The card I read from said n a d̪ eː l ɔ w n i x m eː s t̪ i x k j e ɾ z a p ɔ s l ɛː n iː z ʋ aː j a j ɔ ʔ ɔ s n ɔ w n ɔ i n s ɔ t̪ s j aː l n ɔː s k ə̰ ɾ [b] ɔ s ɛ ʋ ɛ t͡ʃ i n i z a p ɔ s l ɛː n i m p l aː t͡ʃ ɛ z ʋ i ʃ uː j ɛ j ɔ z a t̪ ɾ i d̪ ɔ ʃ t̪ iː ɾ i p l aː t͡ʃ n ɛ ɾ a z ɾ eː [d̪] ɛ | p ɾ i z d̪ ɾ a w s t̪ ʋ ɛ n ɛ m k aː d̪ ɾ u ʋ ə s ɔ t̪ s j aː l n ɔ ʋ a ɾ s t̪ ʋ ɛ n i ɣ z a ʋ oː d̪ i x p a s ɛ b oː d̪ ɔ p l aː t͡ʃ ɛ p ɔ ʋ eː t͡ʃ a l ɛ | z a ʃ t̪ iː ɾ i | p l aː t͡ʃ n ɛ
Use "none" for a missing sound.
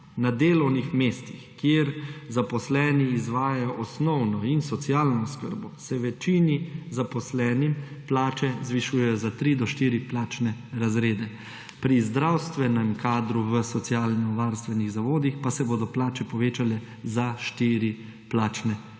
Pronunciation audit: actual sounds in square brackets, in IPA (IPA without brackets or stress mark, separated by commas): b, d̪